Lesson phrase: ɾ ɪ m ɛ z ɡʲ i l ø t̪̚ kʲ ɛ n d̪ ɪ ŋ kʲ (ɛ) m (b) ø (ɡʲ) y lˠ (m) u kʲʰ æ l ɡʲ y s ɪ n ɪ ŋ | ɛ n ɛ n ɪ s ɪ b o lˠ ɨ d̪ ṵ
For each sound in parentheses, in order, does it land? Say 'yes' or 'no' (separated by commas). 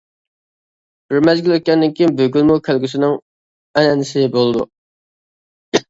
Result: no, yes, yes, yes